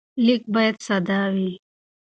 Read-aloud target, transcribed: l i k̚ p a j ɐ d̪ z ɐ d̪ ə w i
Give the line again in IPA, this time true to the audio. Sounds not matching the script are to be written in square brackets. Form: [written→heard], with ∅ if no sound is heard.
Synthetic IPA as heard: l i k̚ [p→b] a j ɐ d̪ [z→s] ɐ d̪ [ə→a] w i